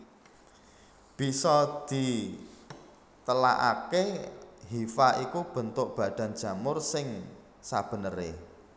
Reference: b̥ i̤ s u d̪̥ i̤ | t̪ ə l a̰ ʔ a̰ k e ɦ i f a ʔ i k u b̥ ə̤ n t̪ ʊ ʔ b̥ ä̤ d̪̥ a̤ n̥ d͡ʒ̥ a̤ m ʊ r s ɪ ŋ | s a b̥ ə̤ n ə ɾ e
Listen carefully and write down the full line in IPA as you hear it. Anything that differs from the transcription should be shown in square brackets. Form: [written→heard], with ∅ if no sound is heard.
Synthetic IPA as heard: b̥ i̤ s [u→ɔ] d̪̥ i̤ | t̪ ə l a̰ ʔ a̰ k e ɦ i f a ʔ i k u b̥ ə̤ n t̪ ʊ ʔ b̥ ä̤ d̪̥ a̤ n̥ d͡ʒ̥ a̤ m ʊ r s ɪ ŋ | s a b̥ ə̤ n ə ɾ e